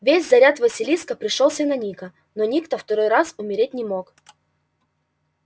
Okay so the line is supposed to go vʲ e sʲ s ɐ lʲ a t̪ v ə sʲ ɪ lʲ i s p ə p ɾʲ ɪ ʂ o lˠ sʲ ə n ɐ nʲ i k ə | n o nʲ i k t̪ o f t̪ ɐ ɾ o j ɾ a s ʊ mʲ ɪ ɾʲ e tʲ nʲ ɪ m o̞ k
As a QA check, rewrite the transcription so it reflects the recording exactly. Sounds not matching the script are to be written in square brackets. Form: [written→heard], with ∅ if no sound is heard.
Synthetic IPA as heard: vʲ e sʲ [s→z] ɐ [lʲ→ɾʲ] a t̪ v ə sʲ ɪ lʲ i s [p→k] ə p ɾʲ ɪ ʂ o lˠ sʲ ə n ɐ nʲ i k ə | n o nʲ i k t̪ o f t̪ ɐ ɾ o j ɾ a s ʊ mʲ ɪ ɾʲ e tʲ nʲ ɪ m o̞ k